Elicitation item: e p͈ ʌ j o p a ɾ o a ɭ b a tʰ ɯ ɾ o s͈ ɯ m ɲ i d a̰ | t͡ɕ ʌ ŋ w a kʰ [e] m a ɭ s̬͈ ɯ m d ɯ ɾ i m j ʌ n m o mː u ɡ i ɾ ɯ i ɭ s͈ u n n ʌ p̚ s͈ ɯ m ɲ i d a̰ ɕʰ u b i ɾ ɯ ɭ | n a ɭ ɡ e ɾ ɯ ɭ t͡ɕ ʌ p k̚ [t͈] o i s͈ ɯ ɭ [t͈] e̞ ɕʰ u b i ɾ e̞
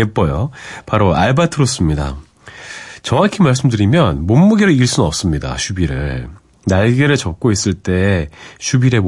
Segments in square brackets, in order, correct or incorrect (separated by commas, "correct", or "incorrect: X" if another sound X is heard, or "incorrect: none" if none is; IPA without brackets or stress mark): incorrect: i, incorrect: k͈, correct